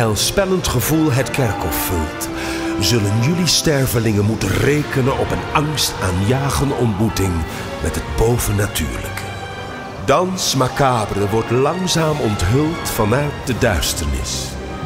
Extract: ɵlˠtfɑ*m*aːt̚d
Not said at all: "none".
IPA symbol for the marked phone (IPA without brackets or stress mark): n